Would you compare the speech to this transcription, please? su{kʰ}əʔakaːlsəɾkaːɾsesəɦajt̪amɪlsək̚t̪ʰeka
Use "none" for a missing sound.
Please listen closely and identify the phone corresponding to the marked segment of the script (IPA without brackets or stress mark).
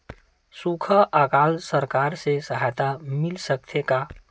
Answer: kʰ